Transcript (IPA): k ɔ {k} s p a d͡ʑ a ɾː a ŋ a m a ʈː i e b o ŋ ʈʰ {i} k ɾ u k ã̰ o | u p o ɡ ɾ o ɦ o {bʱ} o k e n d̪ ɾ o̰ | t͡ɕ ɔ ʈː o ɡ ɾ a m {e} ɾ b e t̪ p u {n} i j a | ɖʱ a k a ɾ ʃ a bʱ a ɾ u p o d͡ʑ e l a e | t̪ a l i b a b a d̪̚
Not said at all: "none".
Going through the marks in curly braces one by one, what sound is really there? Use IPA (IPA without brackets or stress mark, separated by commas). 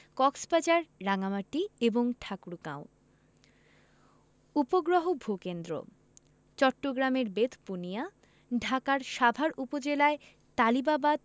k, a, bʱ, e, n